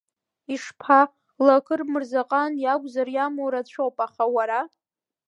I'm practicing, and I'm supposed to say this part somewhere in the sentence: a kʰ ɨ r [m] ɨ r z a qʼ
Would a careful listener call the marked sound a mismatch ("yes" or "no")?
no